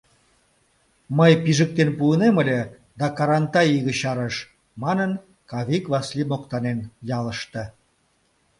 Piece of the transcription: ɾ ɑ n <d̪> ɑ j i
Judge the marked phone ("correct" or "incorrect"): incorrect